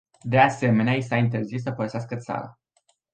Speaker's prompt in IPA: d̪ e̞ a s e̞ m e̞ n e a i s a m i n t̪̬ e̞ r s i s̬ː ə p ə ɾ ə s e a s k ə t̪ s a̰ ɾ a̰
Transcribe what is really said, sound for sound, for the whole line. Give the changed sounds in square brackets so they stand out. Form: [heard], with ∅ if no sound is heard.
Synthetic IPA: d̪ e̞ a s e̞ m e̞ n e a i s a [∅] i n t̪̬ e̞ r [z] i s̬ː ə p ə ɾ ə s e a s k ə t̪ s a̰ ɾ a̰